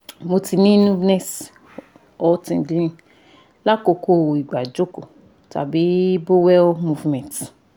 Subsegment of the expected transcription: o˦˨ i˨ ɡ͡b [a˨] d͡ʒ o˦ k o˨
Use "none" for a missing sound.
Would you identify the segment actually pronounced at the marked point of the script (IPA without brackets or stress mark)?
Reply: a˨